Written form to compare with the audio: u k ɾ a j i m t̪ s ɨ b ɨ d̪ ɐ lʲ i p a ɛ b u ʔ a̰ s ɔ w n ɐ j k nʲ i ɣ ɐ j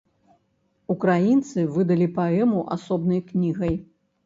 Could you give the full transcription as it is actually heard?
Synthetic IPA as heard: u k ɾ a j i n t̪ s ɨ v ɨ d̪ ɐ lʲ i p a ɛ m u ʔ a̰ s ɔ b n ɐ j k nʲ i ɣ ɐ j